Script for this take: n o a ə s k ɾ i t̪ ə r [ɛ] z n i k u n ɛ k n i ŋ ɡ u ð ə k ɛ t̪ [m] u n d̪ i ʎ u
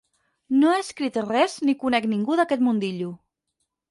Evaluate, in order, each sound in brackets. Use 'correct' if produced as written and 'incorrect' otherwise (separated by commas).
correct, correct